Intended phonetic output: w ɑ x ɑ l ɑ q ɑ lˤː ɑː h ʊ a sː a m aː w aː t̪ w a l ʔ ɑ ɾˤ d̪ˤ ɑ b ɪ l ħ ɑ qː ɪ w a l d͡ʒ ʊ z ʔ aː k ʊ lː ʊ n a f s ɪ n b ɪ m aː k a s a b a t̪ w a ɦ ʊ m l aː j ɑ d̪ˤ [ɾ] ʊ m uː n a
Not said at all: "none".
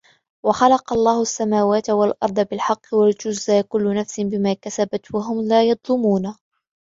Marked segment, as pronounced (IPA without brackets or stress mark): l